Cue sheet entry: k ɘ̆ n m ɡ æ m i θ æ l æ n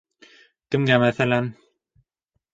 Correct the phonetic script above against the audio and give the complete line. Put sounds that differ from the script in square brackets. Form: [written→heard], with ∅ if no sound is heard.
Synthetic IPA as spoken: k ɘ̆ [n→∅] m ɡ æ m [i→æ] θ æ l æ n